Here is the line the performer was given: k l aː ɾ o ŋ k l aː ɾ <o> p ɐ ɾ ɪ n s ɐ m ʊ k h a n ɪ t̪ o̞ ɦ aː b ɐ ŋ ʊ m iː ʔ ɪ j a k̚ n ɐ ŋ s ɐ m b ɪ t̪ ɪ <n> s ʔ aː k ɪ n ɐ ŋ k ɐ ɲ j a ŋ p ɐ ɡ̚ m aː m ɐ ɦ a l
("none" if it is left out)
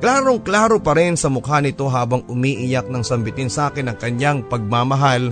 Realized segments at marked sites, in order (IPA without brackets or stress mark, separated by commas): o, n